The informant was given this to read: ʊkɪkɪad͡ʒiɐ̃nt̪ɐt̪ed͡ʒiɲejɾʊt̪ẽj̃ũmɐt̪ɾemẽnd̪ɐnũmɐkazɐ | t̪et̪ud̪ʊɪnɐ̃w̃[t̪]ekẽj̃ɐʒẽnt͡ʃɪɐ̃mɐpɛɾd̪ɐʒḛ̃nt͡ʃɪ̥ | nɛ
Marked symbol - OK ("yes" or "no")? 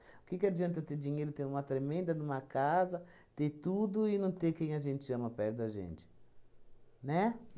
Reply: yes